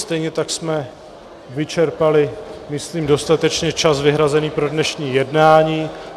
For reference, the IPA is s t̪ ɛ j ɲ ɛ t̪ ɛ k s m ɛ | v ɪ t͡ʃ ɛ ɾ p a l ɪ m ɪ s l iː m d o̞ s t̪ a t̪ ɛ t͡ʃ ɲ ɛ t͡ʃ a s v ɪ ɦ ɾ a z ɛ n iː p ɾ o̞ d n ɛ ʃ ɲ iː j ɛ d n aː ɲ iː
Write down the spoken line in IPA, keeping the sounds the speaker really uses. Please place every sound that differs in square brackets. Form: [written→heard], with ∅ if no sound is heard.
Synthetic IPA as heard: s t̪ ɛ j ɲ ɛ t̪ [ɛ→a] k s m ɛ | v ɪ t͡ʃ ɛ ɾ p a l ɪ m ɪ s l iː m d o̞ s t̪ a t̪ ɛ t͡ʃ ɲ ɛ t͡ʃ a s v ɪ ɦ ɾ a z ɛ n iː p ɾ o̞ d n ɛ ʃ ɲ iː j ɛ d n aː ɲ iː